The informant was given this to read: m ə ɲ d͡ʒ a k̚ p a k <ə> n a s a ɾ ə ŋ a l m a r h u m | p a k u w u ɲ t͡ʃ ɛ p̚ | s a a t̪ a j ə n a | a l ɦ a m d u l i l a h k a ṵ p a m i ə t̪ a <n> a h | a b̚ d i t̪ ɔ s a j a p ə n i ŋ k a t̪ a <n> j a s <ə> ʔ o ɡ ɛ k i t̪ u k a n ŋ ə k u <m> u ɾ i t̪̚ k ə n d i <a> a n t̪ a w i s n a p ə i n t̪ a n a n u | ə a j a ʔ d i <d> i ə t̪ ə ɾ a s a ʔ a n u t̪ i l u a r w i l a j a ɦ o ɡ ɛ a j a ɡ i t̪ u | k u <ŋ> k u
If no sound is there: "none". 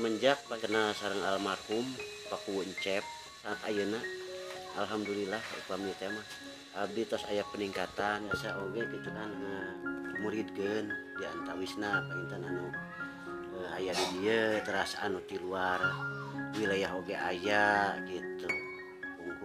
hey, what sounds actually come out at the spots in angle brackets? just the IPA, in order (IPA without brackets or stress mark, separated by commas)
ə, m, n, a, m, a, d, ŋ